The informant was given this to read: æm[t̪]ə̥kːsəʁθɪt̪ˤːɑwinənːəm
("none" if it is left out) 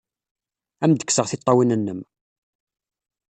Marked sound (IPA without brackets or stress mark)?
d̪